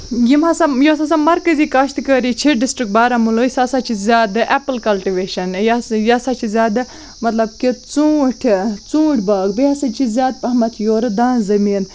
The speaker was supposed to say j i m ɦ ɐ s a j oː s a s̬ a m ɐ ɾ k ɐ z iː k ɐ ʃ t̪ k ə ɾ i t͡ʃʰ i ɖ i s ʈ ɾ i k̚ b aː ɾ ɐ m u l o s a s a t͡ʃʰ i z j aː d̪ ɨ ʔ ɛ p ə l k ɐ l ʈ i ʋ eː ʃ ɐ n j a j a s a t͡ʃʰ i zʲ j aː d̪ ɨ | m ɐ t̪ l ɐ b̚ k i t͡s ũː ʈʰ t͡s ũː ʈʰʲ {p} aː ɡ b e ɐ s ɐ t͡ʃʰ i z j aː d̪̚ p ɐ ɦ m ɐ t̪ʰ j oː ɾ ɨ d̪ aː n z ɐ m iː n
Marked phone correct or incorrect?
incorrect